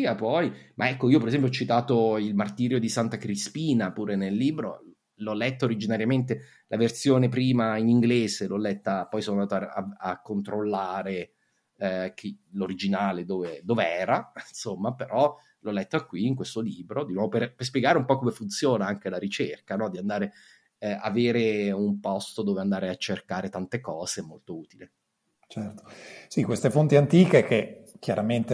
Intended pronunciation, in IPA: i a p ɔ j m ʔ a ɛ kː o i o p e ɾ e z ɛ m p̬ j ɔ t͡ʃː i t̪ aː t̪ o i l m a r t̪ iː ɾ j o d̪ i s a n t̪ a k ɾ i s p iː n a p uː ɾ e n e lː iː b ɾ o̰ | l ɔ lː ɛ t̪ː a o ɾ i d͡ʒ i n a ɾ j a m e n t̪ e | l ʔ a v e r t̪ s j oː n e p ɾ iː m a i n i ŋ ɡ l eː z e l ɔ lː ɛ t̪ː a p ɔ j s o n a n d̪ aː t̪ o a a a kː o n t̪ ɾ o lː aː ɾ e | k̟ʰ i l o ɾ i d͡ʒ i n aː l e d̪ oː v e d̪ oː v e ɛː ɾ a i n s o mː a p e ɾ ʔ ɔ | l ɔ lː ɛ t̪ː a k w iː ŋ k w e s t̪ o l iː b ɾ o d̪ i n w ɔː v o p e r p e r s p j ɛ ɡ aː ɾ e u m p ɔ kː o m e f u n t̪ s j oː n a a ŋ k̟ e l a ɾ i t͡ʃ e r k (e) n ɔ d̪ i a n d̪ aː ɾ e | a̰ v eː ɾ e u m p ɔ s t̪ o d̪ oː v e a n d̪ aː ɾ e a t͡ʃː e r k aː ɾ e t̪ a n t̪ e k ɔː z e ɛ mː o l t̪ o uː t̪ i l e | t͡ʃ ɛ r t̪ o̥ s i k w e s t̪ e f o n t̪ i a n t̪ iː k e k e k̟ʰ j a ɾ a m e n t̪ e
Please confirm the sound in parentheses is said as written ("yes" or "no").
no